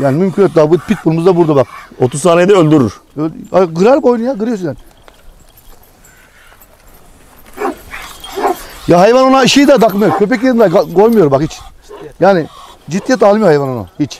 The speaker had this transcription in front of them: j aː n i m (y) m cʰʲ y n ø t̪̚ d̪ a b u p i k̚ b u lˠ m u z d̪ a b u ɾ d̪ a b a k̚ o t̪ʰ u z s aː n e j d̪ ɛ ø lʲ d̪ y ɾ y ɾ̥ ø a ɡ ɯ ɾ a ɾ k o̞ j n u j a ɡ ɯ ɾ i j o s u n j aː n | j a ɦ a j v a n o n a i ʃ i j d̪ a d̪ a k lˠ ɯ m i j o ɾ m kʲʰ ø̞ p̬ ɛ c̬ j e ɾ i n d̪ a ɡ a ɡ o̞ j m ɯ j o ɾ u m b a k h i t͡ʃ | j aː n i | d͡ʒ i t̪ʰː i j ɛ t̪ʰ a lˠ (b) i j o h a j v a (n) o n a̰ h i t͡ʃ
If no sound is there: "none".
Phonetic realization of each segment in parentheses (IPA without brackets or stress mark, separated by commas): y, m, n